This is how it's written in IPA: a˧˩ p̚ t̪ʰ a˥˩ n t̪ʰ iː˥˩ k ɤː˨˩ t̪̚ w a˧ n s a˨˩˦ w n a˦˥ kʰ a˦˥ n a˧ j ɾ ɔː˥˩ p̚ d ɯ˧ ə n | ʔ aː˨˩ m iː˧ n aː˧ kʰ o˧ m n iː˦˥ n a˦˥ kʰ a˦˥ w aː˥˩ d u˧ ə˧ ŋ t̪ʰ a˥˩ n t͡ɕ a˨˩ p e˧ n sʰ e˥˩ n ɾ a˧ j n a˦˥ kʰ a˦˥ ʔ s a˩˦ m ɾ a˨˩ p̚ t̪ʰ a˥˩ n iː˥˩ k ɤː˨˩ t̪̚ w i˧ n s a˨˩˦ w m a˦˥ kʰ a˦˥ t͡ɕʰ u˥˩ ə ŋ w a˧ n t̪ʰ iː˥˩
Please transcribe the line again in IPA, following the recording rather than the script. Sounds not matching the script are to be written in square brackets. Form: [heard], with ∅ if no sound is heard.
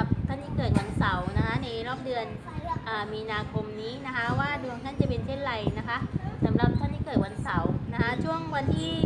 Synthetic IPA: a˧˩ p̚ t̪ʰ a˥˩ n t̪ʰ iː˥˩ k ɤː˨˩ t̪̚ w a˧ n s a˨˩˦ w n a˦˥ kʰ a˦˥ n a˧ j ɾ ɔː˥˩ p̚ d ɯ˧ ə n | ʔ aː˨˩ m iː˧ n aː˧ kʰ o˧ m n iː˦˥ n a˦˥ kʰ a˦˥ w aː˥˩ d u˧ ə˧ ŋ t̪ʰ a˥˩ n t͡ɕ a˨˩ p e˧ n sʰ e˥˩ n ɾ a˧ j n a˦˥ kʰ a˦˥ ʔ s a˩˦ m ɾ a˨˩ p̚ t̪ʰ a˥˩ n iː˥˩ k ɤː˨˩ t̪̚ w [a˧] n s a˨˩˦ w [n] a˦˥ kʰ a˦˥ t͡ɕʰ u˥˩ ə ŋ w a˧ n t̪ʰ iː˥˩